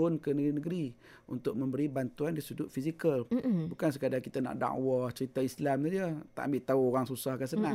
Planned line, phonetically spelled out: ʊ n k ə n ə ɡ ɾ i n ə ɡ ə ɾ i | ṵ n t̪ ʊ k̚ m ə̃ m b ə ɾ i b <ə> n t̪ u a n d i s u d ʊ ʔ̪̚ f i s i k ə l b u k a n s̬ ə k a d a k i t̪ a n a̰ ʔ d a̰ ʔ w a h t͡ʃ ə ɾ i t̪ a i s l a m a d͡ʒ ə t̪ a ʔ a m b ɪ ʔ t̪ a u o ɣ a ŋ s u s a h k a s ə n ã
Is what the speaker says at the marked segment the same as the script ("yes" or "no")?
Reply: no